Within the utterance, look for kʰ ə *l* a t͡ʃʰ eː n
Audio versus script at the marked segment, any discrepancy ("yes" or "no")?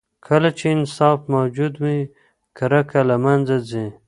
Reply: no